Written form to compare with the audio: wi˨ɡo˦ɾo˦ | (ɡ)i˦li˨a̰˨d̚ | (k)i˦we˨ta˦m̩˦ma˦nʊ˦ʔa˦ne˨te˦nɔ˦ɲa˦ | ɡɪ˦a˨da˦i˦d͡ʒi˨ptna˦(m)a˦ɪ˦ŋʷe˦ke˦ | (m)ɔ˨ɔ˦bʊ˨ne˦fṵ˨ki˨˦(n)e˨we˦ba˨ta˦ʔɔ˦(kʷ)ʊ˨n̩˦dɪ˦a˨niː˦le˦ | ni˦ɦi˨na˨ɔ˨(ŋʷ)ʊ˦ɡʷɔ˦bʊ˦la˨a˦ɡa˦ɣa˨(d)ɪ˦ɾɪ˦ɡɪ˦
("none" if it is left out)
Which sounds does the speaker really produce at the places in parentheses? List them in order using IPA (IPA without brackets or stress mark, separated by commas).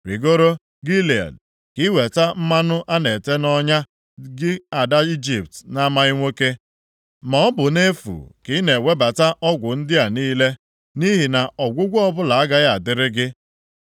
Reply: ɡ, k, m, m, n, ɡʷ, ɡʷ, d